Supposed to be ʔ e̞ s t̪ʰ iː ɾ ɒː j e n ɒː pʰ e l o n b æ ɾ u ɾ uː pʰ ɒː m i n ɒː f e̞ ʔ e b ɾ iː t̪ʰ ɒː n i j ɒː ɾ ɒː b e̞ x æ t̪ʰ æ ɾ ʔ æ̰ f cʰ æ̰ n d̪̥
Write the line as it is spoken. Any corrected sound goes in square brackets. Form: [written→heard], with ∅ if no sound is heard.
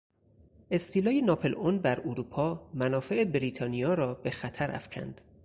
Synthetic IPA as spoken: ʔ e̞ s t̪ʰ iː [ɾ→l] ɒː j e n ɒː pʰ e l o n b æ ɾ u ɾ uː pʰ ɒː m [i→æ] n ɒː f e̞ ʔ e b ɾ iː t̪ʰ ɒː n i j ɒː ɾ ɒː b e̞ x æ t̪ʰ æ ɾ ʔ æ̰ f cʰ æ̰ n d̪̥